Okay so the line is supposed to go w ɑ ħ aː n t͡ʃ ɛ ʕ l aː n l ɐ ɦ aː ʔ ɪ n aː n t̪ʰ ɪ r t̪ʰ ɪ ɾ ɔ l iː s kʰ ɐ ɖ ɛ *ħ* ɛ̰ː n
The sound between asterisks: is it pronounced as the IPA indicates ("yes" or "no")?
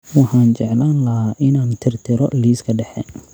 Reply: yes